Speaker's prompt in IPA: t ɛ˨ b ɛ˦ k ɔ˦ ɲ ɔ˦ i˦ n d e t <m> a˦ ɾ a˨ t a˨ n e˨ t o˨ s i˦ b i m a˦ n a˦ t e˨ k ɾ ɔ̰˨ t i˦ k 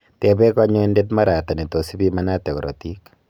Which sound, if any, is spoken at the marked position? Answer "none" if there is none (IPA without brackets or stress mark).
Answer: m